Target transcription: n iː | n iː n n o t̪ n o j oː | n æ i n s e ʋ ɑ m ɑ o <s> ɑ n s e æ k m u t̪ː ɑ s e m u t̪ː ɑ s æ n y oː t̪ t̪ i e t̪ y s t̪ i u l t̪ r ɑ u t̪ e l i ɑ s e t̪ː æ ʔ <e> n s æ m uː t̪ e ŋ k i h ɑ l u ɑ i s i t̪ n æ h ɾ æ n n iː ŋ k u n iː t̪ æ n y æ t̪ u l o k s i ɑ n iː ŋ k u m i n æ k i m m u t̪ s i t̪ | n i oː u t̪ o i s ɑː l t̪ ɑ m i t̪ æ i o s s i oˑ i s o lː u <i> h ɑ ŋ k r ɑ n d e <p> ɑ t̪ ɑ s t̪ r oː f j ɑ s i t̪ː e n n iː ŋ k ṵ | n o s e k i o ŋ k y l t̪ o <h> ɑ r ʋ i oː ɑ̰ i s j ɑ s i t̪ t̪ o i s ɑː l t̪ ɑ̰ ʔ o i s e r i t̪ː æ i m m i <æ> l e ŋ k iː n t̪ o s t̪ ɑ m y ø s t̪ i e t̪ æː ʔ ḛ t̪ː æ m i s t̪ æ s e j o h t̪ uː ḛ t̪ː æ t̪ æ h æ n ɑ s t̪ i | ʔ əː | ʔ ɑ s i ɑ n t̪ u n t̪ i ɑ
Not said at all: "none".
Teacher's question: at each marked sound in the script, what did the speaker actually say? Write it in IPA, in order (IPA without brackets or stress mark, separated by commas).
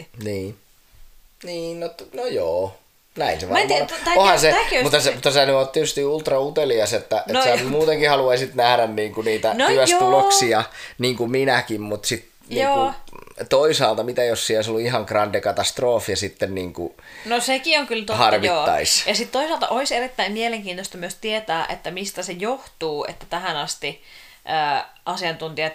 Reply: h, e, i, k, h, e